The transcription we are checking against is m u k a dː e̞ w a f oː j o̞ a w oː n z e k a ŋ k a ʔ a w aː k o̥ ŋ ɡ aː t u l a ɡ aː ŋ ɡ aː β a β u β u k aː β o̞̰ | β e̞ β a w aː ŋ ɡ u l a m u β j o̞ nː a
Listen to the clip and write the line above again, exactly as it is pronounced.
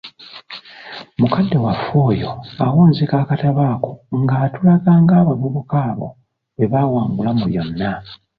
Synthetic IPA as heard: m u k a dː e̞ w a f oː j o̞ a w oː n z e k a k a t a β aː k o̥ ŋ ɡ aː t u l a ɡ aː ŋ ɡ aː β a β u β u k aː β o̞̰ | β e̞ β a w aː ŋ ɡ u l a m u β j o̞ nː a